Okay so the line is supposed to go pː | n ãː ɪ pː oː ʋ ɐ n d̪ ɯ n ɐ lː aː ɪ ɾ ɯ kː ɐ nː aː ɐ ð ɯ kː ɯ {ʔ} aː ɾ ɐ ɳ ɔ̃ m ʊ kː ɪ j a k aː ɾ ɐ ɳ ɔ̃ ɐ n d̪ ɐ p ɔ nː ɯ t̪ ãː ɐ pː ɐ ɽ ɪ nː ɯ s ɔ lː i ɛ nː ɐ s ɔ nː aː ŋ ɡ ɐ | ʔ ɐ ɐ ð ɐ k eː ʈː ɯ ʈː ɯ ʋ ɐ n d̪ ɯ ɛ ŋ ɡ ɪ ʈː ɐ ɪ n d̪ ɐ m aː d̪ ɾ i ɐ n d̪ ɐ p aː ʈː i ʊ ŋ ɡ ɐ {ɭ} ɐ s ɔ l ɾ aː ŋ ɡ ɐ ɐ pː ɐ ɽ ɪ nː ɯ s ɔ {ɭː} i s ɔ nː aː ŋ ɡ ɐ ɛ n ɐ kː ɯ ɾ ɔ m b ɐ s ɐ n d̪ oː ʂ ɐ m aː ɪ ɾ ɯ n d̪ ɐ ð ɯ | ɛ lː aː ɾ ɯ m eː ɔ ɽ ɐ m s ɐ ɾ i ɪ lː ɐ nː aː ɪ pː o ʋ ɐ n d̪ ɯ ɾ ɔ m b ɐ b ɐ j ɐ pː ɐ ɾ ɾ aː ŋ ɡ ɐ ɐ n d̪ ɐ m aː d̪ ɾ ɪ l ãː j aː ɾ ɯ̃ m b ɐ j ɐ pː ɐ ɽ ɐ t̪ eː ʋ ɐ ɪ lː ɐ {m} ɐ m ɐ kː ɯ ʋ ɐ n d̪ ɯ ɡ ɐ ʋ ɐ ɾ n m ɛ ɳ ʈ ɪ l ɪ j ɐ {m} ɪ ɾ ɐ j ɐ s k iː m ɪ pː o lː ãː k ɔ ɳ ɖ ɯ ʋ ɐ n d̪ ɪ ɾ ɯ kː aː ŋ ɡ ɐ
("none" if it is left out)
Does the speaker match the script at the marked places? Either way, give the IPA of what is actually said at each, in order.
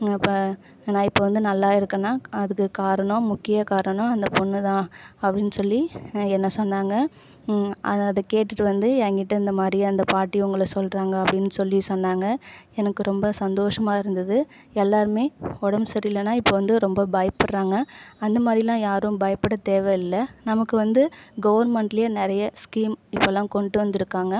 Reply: k, ɭ, lː, n, n

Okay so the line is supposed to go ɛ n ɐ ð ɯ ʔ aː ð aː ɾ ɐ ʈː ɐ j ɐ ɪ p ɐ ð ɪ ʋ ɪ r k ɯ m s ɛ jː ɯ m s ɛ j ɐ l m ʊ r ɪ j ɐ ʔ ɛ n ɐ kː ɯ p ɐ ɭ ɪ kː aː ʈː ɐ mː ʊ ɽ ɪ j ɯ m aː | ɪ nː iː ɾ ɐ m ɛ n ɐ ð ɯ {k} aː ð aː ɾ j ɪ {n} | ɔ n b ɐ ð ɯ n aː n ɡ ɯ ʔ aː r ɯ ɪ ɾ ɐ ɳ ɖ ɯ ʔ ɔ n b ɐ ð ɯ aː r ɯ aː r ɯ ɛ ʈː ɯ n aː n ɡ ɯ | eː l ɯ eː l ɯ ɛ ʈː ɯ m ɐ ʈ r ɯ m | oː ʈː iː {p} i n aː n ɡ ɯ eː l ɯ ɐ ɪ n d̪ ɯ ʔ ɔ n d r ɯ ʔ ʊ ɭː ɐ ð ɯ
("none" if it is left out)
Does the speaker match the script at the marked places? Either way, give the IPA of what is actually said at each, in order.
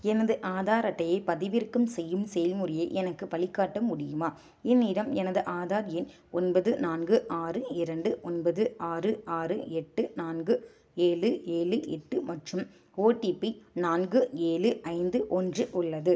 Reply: ʔ, n, p

